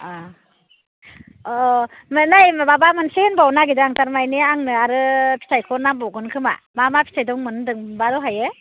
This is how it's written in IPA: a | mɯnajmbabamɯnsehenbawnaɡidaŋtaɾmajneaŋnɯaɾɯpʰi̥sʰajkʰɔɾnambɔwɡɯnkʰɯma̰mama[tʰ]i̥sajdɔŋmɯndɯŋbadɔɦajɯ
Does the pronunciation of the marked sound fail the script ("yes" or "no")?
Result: yes